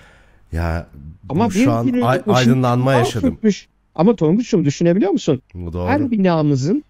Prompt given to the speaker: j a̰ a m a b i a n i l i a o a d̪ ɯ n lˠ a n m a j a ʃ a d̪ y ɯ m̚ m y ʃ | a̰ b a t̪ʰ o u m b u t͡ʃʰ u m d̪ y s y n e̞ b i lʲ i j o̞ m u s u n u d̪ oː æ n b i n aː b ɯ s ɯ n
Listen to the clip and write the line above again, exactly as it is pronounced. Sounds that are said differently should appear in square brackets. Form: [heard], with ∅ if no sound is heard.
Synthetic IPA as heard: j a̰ a m a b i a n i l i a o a d̪ ɯ n lˠ a n m a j a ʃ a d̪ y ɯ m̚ m y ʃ | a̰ [m] a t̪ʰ o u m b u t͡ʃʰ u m d̪ y [ʃ] y n e̞ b i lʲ i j o̞ m u s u n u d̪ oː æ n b i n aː [m] ɯ [z] ɯ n